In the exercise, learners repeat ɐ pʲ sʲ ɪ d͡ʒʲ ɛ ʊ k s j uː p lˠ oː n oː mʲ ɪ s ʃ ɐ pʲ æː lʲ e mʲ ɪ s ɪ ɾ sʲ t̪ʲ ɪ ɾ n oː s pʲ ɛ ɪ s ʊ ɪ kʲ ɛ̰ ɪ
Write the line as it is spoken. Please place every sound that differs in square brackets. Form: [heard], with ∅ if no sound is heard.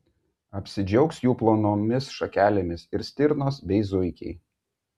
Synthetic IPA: ɐ pʲ sʲ ɪ d͡ʒʲ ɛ ʊ k s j uː p lˠ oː n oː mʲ ɪ s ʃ ɐ [kʲ] æː lʲ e mʲ ɪ s ɪ ɾ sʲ t̪ʲ ɪ ɾ n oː s [bʲ] ɛ ɪ [z] ʊ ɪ kʲ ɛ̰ ɪ